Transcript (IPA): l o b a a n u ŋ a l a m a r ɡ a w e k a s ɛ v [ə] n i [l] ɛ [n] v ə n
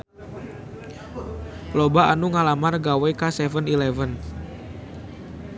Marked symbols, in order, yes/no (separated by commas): yes, yes, no